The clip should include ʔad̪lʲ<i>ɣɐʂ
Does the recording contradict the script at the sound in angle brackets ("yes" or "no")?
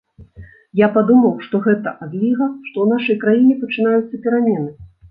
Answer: no